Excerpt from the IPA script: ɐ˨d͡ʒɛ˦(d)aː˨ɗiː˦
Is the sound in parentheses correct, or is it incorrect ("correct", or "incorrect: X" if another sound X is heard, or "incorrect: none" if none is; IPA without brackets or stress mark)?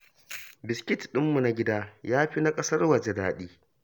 correct